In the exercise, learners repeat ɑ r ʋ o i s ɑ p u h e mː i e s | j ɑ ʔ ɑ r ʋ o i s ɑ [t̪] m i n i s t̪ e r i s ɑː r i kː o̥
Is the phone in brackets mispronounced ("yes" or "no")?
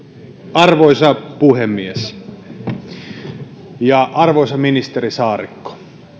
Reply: yes